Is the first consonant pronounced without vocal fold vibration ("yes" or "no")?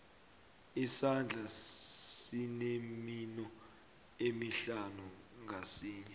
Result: yes